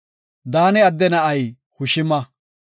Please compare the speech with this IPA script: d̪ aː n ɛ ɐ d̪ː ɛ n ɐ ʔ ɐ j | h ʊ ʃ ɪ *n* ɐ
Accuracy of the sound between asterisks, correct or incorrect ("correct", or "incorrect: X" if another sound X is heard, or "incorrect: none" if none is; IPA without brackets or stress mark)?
incorrect: m